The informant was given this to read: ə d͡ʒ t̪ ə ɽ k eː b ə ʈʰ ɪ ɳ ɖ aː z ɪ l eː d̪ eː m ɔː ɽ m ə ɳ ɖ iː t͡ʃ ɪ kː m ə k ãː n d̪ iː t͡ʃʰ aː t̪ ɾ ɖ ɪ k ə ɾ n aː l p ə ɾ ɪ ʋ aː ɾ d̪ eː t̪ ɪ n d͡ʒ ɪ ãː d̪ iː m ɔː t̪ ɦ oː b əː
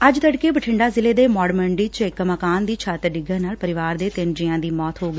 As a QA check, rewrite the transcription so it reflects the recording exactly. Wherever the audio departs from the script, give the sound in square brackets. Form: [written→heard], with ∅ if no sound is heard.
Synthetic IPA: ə d͡ʒ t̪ ə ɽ k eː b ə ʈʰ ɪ ɳ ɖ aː z ɪ l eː d̪ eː m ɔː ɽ m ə ɳ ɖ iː t͡ʃ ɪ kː m ə k [ãː→aː] n d̪ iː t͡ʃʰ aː t̪ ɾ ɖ ɪ [k→ɡ] ə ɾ n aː l p ə ɾ ɪ ʋ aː ɾ d̪ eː t̪ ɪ n d͡ʒ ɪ ãː d̪ iː m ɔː t̪ ɦ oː [b→ɡ] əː